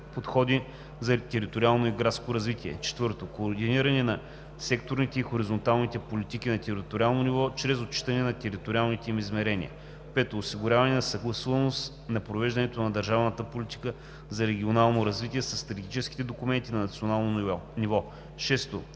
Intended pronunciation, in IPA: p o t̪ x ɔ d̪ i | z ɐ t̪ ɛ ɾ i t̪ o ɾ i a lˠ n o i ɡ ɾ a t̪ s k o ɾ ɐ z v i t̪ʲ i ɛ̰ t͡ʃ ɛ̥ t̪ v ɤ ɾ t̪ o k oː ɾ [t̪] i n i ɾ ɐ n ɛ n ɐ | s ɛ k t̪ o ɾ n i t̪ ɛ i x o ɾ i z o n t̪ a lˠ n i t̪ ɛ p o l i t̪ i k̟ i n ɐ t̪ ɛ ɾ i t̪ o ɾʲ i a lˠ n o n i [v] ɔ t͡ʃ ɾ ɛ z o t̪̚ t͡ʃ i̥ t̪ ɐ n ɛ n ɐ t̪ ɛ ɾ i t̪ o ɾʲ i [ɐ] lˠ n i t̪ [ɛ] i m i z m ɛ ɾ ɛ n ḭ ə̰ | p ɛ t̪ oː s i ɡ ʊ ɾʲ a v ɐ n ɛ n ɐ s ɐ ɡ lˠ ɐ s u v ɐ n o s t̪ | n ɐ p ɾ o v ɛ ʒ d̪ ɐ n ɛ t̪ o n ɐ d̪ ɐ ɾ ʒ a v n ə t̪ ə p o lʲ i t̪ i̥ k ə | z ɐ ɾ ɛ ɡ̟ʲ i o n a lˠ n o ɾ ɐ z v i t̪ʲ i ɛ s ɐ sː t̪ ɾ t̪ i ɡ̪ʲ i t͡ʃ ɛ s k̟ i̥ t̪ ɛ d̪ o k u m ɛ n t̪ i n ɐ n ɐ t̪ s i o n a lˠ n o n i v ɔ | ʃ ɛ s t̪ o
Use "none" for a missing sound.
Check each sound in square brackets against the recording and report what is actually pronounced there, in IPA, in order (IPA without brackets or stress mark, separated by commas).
d̪, v, a, ɛ